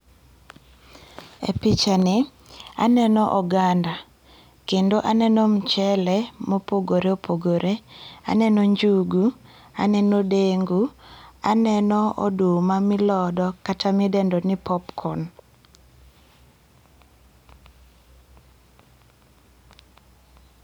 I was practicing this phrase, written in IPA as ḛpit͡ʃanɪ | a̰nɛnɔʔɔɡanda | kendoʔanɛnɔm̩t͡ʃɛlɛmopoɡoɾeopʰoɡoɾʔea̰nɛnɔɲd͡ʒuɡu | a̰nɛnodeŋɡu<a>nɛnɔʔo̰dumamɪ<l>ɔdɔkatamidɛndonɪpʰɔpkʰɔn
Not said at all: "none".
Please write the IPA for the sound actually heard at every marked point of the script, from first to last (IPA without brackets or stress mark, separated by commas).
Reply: a, l